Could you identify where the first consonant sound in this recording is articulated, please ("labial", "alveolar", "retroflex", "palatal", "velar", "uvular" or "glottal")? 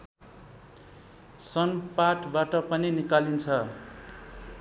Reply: alveolar